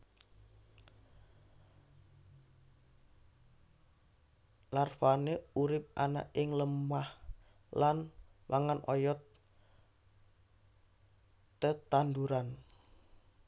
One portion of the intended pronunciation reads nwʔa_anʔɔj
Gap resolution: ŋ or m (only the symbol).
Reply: ŋ